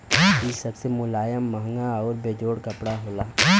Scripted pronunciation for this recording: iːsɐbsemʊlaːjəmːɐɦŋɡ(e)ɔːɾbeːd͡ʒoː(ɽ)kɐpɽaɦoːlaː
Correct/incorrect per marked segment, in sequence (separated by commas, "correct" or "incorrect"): incorrect, correct